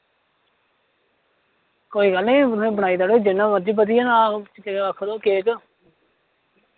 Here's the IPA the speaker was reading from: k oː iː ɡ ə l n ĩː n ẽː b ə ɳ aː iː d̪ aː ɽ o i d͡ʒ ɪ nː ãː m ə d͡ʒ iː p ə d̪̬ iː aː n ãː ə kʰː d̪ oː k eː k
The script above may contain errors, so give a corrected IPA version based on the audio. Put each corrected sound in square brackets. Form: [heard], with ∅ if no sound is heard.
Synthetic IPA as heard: k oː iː ɡ ə l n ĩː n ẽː b ə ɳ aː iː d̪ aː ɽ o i d͡ʒ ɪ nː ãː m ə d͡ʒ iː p ə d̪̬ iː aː n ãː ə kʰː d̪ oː k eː k